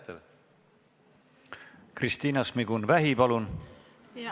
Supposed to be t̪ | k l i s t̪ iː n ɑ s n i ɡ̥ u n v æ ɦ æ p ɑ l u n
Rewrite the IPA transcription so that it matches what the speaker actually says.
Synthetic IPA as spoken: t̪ | k r i s t̪ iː n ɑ s m i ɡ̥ u n v æ ɦ i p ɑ l u n